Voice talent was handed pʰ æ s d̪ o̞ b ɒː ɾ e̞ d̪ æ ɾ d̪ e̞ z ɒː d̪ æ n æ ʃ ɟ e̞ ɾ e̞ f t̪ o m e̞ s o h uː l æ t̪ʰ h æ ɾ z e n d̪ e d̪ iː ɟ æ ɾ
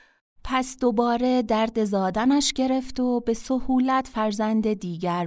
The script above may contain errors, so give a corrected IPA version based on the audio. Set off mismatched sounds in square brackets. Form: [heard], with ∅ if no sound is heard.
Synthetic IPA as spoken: pʰ æ s d̪ o̞ b ɒː ɾ e̞ d̪ æ ɾ d̪ e̞ z ɒː d̪ æ n æ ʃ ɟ e̞ ɾ e̞ f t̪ o [b] e̞ s o h uː l æ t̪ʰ [f] æ ɾ z [æ] n d̪ e d̪ iː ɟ æ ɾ